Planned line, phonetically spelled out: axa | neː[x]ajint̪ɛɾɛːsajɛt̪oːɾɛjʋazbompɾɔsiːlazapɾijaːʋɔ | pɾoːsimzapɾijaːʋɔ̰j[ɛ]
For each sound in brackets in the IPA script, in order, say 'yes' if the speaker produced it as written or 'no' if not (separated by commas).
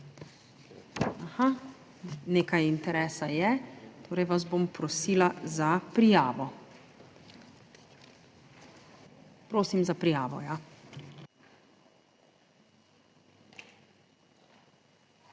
no, no